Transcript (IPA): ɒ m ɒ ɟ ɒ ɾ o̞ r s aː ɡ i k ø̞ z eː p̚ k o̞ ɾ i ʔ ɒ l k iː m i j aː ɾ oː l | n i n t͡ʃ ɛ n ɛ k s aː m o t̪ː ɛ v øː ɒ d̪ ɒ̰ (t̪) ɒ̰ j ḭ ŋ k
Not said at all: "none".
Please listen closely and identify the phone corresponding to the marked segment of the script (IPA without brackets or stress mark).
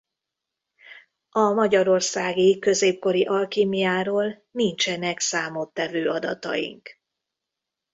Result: t̪